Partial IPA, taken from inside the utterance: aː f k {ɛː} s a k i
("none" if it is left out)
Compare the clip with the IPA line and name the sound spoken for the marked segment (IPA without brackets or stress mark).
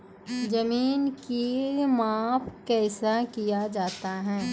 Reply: ɛː